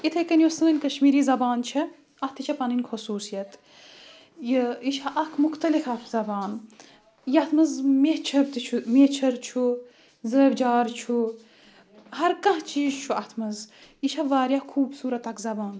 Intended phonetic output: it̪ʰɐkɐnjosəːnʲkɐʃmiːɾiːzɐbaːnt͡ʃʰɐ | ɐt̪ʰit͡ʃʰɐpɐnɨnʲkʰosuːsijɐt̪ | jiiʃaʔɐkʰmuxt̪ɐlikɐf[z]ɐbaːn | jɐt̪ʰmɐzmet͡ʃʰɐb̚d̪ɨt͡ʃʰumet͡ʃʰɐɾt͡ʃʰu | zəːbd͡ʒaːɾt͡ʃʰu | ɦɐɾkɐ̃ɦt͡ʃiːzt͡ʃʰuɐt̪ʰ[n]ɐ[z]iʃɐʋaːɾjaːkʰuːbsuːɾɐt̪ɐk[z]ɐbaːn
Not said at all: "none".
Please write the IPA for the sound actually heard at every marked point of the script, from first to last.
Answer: z, m, z, z

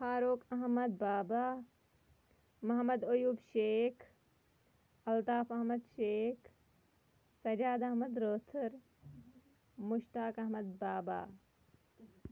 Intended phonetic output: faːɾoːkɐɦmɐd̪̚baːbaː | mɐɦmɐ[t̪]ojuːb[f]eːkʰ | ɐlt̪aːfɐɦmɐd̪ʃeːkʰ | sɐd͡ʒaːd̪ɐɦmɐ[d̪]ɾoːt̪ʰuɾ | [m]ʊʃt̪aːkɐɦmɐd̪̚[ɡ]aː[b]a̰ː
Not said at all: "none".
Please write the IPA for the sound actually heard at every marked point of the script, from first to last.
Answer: d̪, ʃ, d̪, m, b, b

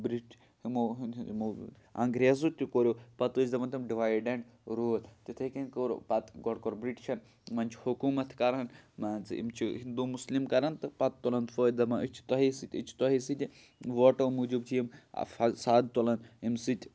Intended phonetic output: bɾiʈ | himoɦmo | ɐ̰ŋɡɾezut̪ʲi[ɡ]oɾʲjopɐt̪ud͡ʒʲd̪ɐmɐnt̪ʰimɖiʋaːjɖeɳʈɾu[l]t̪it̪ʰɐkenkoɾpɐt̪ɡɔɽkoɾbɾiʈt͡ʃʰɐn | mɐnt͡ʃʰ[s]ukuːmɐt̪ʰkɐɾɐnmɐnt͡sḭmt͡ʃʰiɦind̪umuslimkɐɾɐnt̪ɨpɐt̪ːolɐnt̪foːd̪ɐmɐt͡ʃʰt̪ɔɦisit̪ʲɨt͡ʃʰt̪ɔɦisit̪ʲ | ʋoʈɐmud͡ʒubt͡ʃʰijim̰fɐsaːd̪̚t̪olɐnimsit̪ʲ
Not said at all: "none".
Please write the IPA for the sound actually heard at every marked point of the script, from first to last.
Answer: k, l, h

